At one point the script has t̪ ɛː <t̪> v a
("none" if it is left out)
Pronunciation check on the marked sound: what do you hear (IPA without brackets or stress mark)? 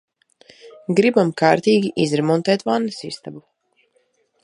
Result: t̪